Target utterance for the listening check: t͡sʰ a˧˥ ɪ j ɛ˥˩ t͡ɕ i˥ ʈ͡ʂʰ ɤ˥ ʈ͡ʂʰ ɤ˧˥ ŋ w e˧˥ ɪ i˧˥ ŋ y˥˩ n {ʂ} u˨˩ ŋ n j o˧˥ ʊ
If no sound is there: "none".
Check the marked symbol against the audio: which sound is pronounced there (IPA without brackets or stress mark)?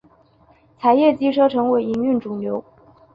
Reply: ʈ͡ʂ